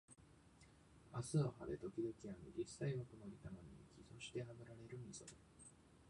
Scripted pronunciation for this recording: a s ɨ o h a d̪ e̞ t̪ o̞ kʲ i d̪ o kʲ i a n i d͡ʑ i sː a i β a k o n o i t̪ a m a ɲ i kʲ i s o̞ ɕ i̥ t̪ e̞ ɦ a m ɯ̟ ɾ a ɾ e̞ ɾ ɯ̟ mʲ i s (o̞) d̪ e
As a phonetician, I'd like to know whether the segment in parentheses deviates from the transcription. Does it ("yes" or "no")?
no